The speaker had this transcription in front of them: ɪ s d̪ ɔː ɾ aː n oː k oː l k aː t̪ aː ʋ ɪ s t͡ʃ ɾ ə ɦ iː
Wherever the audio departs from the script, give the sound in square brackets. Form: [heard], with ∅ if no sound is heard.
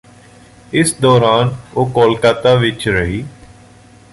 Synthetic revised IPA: ɪ s d̪ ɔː ɾ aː n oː k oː l k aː t̪ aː ʋ ɪ [∅] t͡ʃ ɾ ə ɦ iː